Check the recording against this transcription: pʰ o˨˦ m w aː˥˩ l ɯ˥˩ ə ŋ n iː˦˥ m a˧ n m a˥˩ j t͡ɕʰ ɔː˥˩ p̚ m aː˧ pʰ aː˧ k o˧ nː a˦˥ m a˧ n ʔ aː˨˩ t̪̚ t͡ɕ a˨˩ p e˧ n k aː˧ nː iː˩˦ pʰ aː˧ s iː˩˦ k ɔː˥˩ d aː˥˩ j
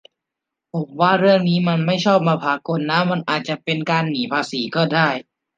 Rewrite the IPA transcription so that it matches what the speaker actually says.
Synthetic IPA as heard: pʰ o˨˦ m w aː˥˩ ɾ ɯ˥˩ ə ŋ n iː˦˥ m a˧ n m a˥˩ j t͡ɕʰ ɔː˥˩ p̚ m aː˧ pʰ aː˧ k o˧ nː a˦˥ m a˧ n ʔ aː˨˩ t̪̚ t͡ɕ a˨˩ p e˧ n k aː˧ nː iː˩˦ pʰ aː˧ s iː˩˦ k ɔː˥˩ d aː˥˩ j